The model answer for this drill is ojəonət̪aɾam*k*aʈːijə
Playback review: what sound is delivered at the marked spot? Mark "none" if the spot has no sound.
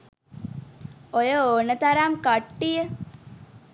k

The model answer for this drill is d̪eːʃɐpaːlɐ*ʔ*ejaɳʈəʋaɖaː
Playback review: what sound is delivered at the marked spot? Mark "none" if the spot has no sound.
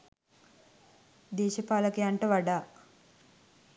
k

